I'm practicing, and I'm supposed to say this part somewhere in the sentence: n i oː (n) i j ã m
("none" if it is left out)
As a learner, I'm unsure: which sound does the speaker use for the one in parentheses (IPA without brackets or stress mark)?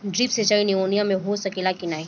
n